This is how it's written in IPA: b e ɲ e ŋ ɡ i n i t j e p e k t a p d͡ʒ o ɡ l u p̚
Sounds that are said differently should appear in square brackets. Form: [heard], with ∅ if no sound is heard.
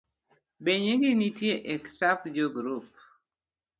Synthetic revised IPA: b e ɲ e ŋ ɡ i n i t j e [ʔ] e k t a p d͡ʒ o ɡ [ɾ] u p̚